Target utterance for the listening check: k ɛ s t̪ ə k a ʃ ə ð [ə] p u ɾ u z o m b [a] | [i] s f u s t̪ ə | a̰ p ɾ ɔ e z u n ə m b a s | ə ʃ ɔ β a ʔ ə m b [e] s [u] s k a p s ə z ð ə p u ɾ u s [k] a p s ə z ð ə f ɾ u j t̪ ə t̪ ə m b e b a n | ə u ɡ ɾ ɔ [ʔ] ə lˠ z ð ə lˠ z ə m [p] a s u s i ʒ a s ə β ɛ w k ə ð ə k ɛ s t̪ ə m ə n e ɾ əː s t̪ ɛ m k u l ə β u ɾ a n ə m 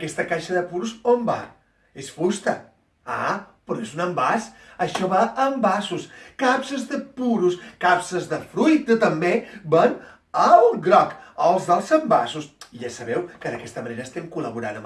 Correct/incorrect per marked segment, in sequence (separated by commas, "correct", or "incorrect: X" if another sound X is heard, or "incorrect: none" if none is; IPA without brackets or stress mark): correct, correct, incorrect: e, incorrect: a, correct, correct, incorrect: k, incorrect: b